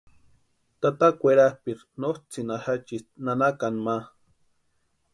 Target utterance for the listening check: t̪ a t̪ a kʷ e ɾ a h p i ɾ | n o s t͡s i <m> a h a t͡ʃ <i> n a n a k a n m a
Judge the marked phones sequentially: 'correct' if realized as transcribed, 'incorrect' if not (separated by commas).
incorrect, correct